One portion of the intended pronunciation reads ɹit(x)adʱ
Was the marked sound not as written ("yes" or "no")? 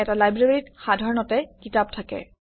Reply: no